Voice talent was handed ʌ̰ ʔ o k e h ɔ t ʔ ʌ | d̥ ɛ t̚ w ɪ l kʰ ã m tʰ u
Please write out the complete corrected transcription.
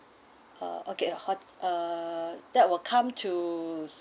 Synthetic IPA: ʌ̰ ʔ o k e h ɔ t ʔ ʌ | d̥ ɛ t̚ w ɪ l kʰ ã m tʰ u